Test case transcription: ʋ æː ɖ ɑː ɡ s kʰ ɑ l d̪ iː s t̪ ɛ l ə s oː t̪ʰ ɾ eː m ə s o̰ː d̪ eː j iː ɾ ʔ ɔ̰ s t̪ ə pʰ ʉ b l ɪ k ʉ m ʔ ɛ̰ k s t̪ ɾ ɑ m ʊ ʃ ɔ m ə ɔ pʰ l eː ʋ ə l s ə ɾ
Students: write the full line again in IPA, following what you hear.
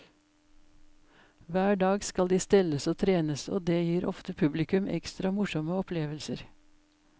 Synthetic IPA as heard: ʋ æː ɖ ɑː ɡ s k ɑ l d̪ iː s t̪ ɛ l ə s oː t̪ʰ ɾ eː n ə s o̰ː d̪ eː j iː ɾ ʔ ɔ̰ f t̪ ə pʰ ʉ b l ɪ k ʉ m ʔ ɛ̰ k s t̪ ɾ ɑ m ʊ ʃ ɔ m ə ɔ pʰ l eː ʋ ə l s ə ɾ

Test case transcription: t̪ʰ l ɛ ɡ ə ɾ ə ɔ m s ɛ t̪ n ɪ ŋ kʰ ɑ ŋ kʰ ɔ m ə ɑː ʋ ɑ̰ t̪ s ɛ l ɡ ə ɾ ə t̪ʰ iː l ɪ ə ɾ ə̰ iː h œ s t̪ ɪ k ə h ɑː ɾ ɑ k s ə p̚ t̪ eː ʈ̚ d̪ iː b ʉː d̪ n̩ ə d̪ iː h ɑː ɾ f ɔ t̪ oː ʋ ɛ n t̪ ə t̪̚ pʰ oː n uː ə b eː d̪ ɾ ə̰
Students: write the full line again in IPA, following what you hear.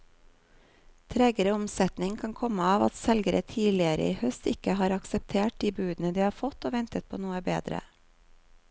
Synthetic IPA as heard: t̪ʰ ɾ ɛ ɡ ə ɾ ə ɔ m s ɛ t̪ n ɪ ŋ kʰ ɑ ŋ kʰ ɔ m ə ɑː ʋ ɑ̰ t̪ s ɛ l ɡ ə ɾ ə t̪ʰ iː l ɪ ə ɾ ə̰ iː h œ s t̪ ɪ k ə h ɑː ɾ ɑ k s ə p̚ t̪ʰ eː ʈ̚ d̪ iː b ʉː d̪ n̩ ə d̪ iː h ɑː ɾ f ɔ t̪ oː ʋ ɛ n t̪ ə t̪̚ pʰ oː n uː ə b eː d̪ ɾ ə̰

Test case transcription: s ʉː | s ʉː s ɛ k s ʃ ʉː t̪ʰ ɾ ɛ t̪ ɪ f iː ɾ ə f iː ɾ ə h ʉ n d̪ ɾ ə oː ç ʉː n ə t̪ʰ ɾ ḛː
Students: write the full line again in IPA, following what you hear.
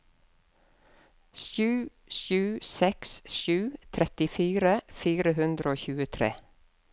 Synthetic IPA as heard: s ʉː | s ʉː s ɛ k s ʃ ʉː t̪ʰ ɾ ɛ t̪ ɪ f iː ɾ ə f iː ɾ ə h ʉ n d̪ ɾ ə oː ç ʉː ə t̪ʰ ɾ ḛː

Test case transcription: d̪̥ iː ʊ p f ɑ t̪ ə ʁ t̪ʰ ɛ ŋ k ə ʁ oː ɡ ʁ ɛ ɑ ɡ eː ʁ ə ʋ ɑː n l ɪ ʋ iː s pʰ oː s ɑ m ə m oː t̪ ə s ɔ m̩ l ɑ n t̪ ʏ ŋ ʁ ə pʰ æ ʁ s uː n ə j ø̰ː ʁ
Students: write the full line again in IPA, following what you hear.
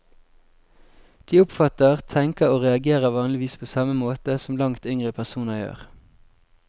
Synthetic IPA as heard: d̪̥ iː ʊ p f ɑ t̪ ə ʁ t̪ʰ ɛ ŋ k ə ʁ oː ʁ ɛ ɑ ɡ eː ʁ ə ʋ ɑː n l ɪ ʋ iː s pʰ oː s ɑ m ə m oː t̪ ə s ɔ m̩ l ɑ ŋ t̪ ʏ ŋ ʁ ə pʰ æ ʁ s uː n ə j ø̰ː ʁ

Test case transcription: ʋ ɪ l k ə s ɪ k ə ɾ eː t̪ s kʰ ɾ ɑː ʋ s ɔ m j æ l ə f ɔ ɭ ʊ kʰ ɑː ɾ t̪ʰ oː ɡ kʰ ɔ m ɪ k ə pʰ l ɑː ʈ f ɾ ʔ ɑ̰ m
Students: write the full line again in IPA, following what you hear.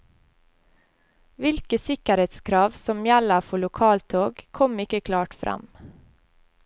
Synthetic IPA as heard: ʋ ɪ l k ə s ɪ k ə ɾ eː t̪ s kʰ ɾ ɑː ʋ s ɔ m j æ l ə f ɔ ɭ ʊ kʰ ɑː l t̪ʰ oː ɡ kʰ ɔ m ɪ k ə kʰ l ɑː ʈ f ɾ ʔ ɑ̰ m

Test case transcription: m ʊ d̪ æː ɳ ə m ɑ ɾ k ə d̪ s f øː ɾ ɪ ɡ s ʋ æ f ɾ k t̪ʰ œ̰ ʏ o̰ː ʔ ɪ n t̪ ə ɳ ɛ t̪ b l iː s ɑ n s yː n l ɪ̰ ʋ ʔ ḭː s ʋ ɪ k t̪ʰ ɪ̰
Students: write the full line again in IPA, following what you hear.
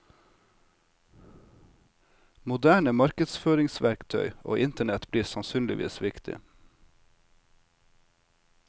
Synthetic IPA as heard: m ʊ d̪ æː ɳ ə m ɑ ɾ k ə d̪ s f øː ɾ ɪ ŋ s ʋ æ ɾ k t̪ʰ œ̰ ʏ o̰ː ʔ ɪ n t̪ ə ɳ ɛ t̪ b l iː s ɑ n s yː n l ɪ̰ ʋ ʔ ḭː s ʋ ɪ k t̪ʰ ɪ̰

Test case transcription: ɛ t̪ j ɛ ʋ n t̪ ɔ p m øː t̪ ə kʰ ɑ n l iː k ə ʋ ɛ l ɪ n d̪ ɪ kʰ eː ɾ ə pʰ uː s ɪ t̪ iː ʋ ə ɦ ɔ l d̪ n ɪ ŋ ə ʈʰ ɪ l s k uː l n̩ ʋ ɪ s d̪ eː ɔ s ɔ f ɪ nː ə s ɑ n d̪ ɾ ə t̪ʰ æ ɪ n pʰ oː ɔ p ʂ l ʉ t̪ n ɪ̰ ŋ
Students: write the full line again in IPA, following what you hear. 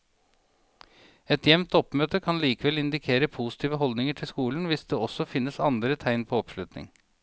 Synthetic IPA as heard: ɛ t̪ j ɛ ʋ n t̪ ɔ p m øː t̪ ə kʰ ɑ n l iː k ə ʋ ɛ l ɪ n d̪ ɪ kʰ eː ɾ ə pʰ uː s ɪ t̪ iː ʋ ə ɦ ɔ l d̪ n ɪ ŋ ə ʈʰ ɪ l s k uː l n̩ ʋ ɪ s d̪ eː ɔ s ɔ f ɪ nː ə s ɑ n d̪ ɾ ə t̪ʰ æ ɪ n pʰ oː ɔ p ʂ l ʉ t̪ n ɪ̰ ŋ

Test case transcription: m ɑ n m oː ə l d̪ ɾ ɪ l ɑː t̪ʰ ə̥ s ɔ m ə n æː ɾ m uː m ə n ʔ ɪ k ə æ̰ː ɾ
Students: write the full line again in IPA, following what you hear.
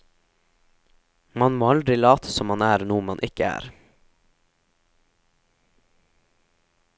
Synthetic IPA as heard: m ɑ n m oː ɑ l d̪ ɾ ɪ l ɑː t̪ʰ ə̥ s ɔ m ɑ n æː ɾ n uː m ɑ n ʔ ɪ k ə æ̰ː ɾ

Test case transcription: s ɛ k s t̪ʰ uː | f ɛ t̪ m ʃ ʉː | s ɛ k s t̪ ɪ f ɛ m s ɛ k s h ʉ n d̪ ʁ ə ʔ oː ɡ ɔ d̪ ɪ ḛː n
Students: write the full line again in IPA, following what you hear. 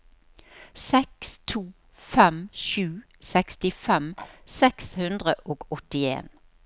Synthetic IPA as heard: s ɛ k s t̪ʰ uː | f ɛ m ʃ ʉː | s ɛ k s t̪ ɪ f ɛ m s ɛ k s h ʉ n d̪ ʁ ə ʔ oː ɡ ɔ t̪ ɪ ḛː n

